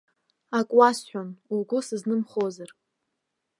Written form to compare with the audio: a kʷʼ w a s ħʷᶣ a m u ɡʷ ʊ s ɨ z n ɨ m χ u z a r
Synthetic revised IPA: a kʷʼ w a s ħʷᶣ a n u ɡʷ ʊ s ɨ z n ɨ m χ o z a r